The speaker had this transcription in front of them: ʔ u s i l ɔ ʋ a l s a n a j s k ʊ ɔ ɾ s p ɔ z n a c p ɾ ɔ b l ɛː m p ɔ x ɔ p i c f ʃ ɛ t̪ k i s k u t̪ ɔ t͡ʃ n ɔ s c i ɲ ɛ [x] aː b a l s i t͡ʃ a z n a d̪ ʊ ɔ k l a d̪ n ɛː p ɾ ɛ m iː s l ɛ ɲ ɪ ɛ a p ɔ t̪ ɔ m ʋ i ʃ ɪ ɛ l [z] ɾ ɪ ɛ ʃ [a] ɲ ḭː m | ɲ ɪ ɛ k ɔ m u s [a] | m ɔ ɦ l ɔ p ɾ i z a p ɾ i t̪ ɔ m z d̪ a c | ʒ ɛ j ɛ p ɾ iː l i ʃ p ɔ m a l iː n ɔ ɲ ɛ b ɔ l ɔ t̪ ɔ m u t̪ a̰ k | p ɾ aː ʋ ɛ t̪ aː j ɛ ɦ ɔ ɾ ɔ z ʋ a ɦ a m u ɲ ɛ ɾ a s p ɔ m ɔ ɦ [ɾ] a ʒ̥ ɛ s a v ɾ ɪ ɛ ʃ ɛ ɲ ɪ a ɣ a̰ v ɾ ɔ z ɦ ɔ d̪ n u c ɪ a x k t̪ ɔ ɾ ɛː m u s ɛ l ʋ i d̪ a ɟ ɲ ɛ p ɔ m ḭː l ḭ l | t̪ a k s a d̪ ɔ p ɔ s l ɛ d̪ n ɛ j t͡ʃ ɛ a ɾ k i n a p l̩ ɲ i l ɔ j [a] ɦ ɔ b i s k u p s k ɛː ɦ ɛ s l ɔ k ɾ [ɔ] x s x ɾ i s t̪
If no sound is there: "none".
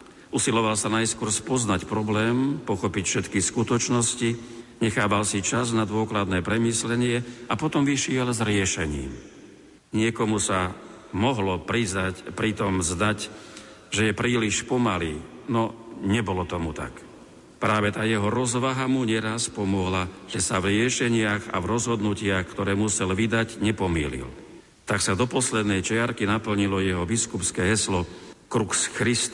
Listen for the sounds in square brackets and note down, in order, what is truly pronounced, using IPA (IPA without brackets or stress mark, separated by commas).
x, z, ɛ, a, l, ɛ, u